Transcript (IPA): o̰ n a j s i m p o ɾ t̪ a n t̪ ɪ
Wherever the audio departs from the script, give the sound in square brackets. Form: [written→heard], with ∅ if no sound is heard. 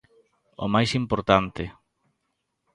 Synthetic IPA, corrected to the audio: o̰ [n→m] a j s i m p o ɾ t̪ a n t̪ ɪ